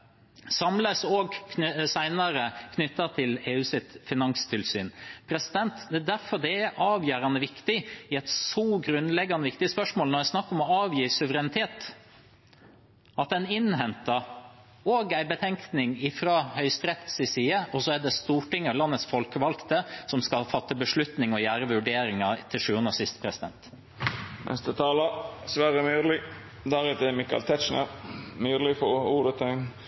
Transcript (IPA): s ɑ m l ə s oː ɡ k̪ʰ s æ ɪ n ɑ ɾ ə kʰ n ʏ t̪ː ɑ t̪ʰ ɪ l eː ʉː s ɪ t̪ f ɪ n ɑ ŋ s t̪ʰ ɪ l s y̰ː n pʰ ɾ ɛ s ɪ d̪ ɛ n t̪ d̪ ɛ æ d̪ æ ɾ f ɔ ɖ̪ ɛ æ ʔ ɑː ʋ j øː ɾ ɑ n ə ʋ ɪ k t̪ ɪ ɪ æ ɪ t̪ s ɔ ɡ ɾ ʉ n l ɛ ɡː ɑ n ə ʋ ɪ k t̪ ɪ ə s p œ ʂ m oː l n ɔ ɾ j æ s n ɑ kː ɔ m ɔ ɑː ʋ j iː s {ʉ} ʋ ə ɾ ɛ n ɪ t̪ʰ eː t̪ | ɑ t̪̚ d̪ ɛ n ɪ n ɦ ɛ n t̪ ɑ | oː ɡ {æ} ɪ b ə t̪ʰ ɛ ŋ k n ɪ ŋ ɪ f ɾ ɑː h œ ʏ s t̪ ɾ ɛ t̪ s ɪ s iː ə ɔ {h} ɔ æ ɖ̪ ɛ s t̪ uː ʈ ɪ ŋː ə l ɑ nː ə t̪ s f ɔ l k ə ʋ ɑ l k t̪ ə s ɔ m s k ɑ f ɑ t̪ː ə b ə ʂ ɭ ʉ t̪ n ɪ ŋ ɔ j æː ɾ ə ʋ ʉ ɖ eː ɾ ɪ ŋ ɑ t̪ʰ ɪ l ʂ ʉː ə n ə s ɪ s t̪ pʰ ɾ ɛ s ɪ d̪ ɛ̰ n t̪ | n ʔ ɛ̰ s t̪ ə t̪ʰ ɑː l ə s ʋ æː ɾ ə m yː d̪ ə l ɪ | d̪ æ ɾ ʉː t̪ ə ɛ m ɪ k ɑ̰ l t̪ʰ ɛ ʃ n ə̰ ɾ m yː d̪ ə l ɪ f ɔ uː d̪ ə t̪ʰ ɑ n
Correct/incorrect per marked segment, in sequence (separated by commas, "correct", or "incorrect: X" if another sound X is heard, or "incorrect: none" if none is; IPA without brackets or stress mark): correct, correct, incorrect: s